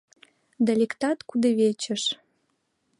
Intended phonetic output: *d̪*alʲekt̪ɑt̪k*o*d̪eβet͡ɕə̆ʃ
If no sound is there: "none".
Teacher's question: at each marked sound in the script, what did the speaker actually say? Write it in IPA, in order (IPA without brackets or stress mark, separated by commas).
d̪, u